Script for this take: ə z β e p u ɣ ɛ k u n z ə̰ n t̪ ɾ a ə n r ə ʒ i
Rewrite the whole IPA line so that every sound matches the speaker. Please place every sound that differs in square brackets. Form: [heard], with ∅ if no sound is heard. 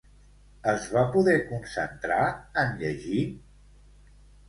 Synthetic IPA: ə z β [a] p u [ð] ɛ k u n [s] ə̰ n t̪ ɾ a ə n [ʎ] ə ʒ i